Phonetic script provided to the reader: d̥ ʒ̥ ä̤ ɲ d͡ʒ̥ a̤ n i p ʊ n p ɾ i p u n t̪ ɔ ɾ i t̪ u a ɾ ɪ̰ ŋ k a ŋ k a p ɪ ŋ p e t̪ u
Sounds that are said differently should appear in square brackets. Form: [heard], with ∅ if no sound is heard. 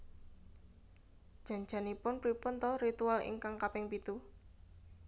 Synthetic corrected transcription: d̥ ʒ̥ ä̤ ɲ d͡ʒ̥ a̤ n i p ʊ n p ɾ i p [ʊ] n t̪ ɔ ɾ i t̪ u a [l] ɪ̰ ŋ k a ŋ k a p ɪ ŋ p [i] t̪ u